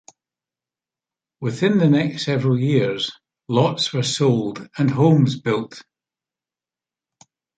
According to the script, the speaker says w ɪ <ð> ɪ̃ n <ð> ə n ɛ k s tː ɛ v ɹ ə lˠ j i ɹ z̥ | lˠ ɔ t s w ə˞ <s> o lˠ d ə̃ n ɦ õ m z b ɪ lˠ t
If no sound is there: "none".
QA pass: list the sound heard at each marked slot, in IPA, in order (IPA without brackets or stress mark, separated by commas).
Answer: θ, ð, s